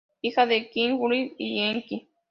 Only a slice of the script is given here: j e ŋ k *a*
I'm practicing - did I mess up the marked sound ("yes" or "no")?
yes